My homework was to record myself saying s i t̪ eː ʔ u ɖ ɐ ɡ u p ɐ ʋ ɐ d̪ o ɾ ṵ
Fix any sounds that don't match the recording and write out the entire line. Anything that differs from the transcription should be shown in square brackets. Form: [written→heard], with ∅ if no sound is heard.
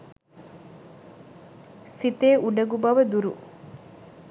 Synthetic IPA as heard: s i t̪ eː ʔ u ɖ ɐ ɡ u [p→b] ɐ ʋ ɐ d̪ [o→u] ɾ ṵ